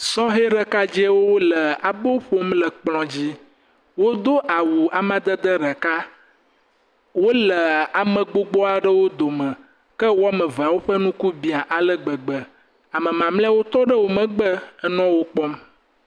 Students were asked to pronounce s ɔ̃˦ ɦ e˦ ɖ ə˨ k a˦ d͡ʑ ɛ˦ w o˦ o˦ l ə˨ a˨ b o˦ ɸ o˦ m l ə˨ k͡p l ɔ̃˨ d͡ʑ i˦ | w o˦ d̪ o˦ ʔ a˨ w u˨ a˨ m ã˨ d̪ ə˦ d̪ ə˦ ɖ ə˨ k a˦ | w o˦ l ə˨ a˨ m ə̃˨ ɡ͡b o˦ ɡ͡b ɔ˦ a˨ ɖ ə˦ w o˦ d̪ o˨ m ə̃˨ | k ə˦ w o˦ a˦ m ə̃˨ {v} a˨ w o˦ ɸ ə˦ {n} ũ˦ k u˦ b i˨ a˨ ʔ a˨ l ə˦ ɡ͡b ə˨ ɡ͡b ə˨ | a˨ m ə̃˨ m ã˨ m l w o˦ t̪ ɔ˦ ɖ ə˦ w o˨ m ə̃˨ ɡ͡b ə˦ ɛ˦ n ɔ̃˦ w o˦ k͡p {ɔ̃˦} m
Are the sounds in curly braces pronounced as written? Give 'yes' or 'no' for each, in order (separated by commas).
yes, yes, no